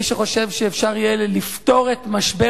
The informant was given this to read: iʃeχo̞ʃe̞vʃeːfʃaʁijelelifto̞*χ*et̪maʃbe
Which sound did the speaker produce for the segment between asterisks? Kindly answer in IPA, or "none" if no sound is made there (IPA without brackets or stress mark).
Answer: ʁ